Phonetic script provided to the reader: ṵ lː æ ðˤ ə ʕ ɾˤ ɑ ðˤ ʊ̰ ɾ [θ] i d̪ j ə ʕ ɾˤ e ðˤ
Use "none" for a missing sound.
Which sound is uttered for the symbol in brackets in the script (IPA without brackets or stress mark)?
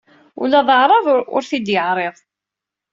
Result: θ